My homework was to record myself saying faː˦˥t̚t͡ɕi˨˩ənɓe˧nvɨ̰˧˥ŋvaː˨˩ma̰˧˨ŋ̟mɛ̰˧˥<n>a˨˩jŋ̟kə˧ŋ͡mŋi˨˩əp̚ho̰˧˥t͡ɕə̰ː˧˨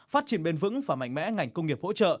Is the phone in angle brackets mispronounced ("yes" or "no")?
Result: yes